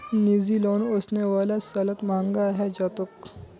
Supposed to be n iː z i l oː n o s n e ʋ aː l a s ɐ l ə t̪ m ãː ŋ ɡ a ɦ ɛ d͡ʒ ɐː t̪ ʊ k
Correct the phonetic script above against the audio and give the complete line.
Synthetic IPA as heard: n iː z i l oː n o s n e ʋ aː l a s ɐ l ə t̪ m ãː ŋ ɡ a ɦ ɛ d͡ʒ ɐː t̪ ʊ k